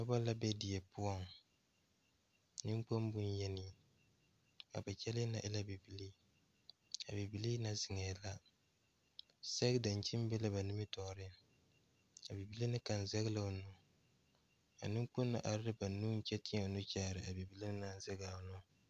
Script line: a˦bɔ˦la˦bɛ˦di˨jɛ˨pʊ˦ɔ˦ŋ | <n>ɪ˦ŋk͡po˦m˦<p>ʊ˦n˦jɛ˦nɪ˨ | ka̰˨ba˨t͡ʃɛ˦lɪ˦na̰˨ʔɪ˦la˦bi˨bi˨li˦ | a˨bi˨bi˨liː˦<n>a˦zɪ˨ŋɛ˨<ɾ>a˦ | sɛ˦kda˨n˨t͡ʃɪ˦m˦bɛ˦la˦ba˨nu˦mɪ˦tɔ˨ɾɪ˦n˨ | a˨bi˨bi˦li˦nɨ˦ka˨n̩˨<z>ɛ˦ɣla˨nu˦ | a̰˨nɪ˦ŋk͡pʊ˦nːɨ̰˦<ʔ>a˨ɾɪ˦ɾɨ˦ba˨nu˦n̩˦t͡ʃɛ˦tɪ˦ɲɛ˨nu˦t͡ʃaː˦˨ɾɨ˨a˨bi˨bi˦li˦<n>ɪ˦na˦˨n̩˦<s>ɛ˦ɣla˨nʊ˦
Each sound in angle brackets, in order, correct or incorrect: correct, incorrect: b, correct, incorrect: l, correct, correct, correct, incorrect: z

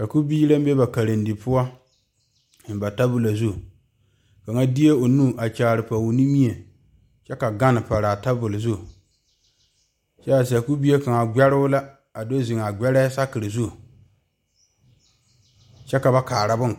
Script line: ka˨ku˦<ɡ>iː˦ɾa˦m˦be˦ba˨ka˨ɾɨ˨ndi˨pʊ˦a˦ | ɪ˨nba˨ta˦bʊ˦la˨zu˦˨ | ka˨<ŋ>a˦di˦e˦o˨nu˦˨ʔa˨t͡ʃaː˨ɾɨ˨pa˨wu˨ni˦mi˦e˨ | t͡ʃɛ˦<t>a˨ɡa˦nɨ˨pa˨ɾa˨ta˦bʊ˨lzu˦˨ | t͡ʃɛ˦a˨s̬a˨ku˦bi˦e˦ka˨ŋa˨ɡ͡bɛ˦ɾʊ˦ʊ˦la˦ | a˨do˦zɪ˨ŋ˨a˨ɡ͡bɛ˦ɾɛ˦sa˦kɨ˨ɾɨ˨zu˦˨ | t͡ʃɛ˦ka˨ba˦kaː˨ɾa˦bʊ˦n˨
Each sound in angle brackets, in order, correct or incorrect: incorrect: b, correct, incorrect: k

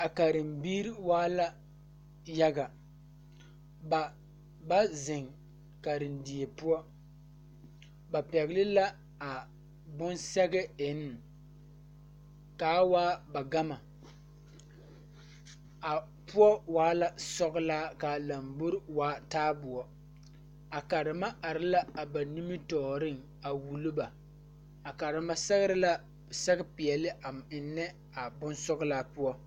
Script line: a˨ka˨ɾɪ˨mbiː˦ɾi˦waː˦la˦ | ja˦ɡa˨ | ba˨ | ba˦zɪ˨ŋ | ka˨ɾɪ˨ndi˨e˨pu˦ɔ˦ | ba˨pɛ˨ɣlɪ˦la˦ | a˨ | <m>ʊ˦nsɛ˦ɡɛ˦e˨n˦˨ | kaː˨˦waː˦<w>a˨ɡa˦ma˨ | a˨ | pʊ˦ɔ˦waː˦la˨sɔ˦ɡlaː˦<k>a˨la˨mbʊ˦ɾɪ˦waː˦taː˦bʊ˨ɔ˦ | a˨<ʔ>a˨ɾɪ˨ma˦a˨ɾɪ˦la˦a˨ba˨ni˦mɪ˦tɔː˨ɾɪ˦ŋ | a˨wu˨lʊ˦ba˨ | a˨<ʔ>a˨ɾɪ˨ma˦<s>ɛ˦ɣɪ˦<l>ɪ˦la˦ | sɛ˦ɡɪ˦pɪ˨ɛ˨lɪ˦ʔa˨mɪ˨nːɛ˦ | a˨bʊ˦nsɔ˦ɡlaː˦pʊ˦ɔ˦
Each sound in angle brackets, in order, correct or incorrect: incorrect: b, incorrect: b, correct, incorrect: k, incorrect: k, correct, incorrect: ɾ

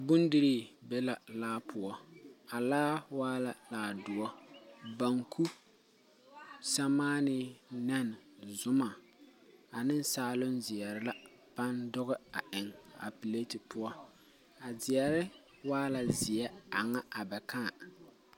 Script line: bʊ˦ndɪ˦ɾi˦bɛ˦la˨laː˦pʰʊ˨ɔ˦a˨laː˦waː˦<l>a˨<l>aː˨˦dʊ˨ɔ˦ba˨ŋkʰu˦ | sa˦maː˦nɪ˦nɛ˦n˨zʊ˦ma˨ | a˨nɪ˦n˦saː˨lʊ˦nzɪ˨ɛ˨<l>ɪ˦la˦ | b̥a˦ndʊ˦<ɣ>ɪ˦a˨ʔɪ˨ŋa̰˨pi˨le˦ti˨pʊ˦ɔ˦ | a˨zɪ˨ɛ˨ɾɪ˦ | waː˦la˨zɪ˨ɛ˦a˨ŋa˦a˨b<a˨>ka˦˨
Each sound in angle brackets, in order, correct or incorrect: correct, correct, incorrect: ɾ, correct, incorrect: ɛ˨

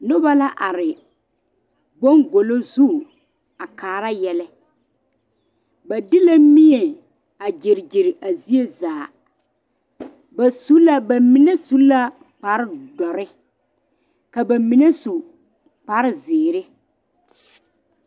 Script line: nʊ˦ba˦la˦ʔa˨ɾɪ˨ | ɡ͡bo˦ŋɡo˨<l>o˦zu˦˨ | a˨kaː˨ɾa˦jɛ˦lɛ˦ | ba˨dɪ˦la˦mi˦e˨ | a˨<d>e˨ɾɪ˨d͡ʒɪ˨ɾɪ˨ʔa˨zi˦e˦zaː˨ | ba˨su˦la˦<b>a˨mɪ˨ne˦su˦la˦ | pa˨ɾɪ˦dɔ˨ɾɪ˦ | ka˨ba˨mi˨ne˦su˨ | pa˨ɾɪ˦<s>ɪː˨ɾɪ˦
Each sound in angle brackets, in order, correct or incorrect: correct, incorrect: d͡ʒ, correct, incorrect: z

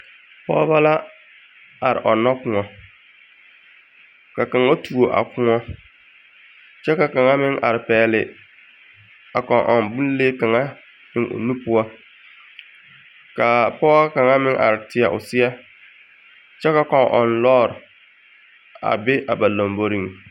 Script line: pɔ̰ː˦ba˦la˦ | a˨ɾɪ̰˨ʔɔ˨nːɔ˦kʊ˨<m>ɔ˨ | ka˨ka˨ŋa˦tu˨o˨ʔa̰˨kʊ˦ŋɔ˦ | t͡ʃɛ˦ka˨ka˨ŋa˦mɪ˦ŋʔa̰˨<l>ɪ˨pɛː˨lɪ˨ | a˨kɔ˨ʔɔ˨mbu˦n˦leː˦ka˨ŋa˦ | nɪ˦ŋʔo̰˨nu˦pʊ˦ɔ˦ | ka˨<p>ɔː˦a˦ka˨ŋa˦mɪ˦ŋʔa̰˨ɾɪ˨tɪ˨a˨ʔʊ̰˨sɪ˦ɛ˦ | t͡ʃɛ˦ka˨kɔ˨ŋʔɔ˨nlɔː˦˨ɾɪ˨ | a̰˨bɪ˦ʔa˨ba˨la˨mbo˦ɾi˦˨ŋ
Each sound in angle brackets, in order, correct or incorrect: incorrect: ŋ, incorrect: ɾ, correct

